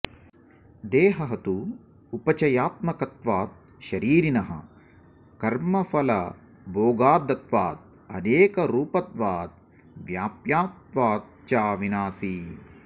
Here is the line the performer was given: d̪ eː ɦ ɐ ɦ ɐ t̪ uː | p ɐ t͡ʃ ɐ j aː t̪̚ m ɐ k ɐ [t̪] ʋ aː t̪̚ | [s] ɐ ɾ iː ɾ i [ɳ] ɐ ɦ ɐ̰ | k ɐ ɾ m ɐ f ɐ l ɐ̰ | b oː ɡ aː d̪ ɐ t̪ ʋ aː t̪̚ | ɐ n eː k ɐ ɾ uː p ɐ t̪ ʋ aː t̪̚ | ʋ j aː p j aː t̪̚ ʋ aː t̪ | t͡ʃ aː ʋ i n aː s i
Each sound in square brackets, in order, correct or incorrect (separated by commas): correct, incorrect, incorrect